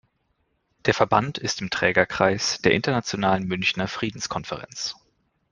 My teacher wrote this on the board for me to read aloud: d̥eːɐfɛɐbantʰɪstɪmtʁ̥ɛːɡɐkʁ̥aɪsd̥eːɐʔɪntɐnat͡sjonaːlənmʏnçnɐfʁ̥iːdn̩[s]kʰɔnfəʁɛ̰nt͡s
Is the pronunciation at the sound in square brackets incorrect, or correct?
correct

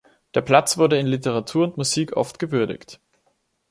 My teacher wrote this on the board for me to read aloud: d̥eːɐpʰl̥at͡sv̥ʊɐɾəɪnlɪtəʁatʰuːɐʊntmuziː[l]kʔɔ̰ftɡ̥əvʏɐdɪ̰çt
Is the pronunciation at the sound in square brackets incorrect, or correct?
incorrect: none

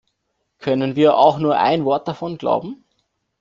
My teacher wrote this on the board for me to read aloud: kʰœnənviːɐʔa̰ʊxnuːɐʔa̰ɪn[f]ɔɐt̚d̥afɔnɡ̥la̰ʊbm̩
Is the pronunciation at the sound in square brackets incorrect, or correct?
incorrect: v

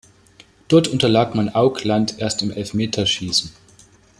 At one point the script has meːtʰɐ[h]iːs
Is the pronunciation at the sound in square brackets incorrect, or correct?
incorrect: ʃ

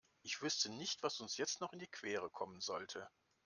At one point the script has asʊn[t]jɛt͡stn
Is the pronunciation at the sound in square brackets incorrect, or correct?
incorrect: s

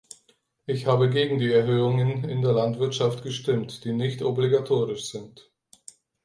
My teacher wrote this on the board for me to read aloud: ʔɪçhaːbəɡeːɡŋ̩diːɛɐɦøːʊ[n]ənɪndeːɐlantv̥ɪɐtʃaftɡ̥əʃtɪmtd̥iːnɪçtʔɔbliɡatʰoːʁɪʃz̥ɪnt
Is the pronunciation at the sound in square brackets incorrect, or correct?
incorrect: ŋ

